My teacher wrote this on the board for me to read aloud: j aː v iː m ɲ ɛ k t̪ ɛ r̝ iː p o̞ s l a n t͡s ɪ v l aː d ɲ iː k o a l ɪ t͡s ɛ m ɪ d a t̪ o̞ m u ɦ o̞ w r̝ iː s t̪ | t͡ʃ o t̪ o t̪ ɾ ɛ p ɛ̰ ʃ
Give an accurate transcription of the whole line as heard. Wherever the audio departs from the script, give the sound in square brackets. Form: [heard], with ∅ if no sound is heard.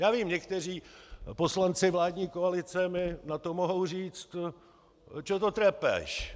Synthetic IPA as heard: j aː v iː m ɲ ɛ k t̪ ɛ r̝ iː p o̞ s l a n t͡s ɪ v l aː d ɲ iː k o a l ɪ t͡s ɛ m ɪ [n] a t̪ o̞ m [o] ɦ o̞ w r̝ iː [t͡s] t̪ | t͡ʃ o t̪ o t̪ ɾ ɛ p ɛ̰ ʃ